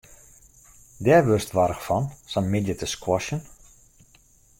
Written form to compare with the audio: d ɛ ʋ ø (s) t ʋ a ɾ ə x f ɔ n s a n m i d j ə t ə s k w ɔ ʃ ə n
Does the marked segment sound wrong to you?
no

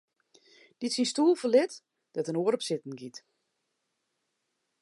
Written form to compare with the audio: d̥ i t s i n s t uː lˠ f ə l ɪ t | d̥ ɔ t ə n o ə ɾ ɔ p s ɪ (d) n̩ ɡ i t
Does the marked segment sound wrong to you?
yes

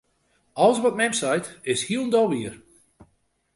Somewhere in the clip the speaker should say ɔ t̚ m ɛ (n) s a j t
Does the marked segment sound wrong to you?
yes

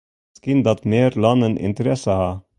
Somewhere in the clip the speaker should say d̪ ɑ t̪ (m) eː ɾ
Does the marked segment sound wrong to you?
no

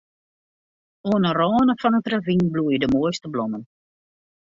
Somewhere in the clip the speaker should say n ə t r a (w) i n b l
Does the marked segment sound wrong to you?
yes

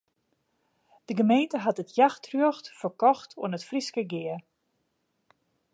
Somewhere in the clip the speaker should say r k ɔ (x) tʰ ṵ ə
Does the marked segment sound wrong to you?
no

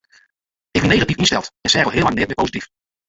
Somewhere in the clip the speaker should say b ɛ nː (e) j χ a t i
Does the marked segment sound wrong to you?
no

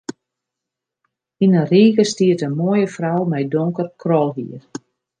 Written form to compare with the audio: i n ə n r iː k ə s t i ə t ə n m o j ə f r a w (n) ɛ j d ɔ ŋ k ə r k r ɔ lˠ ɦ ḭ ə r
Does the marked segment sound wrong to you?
yes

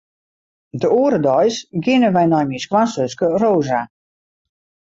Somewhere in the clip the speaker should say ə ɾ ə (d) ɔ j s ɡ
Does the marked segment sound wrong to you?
no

